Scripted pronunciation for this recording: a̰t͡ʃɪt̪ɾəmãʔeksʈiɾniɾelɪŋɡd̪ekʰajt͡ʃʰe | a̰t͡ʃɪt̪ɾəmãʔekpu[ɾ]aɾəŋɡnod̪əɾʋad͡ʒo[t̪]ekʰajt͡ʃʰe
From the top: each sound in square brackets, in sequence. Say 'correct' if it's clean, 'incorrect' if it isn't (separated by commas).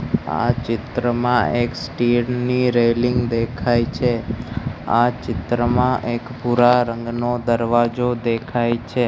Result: correct, incorrect